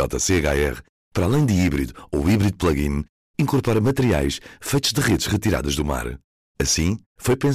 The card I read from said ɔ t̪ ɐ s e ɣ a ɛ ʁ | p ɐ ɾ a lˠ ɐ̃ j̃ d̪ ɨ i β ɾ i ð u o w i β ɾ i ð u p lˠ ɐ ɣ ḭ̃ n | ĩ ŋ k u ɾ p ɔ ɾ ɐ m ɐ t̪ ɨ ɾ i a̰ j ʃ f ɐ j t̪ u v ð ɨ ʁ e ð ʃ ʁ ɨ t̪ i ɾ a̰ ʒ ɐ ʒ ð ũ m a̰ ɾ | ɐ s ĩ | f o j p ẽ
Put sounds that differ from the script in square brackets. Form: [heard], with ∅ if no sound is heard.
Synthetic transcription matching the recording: ɔ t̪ ɐ s e ɣ a ɛ ʁ | p ɐ ɾ a lˠ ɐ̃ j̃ d̪ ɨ i β ɾ i ð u o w i β ɾ i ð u p lˠ ɐ ɣ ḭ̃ n | ĩ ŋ k u ɾ p ɔ ɾ ɐ m ɐ t̪ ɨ ɾ i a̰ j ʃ f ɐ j t̪ u [ʒ] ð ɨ ʁ e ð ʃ ʁ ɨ t̪ i ɾ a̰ [ð] ɐ ʒ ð [u] m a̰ ɾ | ɐ s ĩ | f o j p ẽ